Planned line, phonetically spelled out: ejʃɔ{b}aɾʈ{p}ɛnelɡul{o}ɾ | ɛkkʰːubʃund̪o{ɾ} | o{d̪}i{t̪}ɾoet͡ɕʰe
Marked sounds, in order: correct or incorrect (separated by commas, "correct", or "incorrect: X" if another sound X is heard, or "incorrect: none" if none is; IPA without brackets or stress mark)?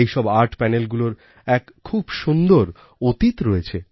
correct, correct, correct, correct, incorrect: t̪, correct